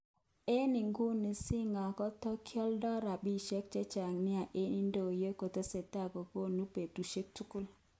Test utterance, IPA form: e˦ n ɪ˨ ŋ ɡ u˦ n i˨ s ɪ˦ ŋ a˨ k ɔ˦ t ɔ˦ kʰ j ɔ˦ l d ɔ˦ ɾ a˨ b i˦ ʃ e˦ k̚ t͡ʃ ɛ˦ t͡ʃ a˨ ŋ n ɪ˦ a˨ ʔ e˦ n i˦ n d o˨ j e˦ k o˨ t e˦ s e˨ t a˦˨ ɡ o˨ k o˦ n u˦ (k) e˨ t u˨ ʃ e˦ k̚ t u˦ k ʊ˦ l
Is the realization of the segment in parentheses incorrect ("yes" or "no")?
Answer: yes